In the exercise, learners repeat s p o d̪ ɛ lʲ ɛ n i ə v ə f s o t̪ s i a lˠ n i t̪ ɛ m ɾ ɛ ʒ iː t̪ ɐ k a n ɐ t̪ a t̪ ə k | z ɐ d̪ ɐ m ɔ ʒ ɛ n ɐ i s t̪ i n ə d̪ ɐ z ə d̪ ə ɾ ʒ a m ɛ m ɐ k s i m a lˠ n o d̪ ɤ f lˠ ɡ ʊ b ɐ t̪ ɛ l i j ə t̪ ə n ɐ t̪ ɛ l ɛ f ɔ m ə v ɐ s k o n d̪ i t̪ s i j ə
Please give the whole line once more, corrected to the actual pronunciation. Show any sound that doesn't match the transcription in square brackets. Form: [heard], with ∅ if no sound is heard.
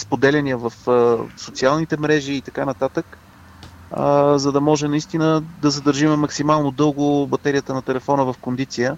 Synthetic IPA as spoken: s p o d̪ ɛ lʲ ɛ n i ə v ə f s o t̪ s i a lˠ n i t̪ ɛ m ɾ ɛ ʒ iː t̪ ɐ k a n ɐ t̪ a t̪ ə k | z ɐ d̪ ɐ m ɔ ʒ ɛ n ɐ i s t̪ i n ə d̪ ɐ z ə d̪ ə ɾ ʒ [i] m ɛ m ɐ k s i m a lˠ n o d̪ ɤ [∅] lˠ ɡ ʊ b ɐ t̪ ɛ [ɾ] i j ə t̪ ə n ɐ t̪ ɛ l ɛ f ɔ [n] ə v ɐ [f] k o n d̪ i t̪ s i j ə